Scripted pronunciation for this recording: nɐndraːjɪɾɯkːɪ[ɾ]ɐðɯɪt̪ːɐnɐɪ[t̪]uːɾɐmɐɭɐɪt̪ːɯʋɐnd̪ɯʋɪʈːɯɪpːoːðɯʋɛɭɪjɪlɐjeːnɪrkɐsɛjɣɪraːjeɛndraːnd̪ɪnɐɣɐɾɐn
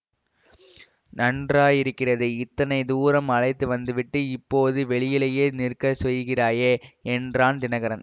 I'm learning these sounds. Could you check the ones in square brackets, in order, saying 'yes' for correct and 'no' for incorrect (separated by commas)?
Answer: no, no